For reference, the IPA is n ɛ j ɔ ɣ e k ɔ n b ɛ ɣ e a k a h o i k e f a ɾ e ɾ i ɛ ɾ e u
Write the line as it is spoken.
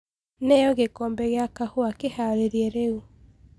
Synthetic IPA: n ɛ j ɔ ɣ e k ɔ m b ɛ ɣ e a k a h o a k e h a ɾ e ɾ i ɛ ɾ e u